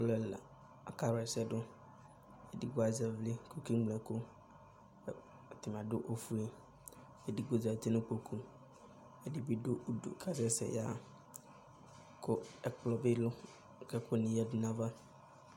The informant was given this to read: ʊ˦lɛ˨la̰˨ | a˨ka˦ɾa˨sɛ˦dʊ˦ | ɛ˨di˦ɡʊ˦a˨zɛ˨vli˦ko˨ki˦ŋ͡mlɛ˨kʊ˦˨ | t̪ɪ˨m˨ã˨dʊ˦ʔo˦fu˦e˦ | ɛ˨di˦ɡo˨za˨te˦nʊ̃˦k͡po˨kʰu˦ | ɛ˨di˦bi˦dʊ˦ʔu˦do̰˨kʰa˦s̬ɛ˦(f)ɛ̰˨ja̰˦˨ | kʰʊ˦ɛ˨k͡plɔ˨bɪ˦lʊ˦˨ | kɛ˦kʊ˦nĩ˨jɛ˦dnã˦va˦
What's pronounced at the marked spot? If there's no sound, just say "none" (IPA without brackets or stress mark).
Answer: s